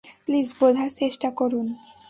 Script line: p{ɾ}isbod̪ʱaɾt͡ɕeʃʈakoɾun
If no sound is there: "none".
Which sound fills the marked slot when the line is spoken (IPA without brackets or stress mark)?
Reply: l